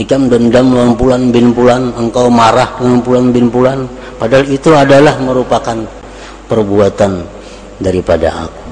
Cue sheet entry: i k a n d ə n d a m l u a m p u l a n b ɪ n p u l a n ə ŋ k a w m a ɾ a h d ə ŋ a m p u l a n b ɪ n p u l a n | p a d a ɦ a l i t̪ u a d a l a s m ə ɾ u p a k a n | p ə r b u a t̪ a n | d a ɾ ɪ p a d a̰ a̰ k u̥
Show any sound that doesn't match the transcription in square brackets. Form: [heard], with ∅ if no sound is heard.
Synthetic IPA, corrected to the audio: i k a [m] d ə n d a m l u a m p u l a n b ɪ n p u l a n ə ŋ k a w m a ɾ a h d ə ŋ a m p u l a n b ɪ n p u l a n | p a d a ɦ a l i t̪ u a d a l a [h] m ə ɾ u p a k a n | p ə r b u a t̪ a n | d a ɾ [i] p a d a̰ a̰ k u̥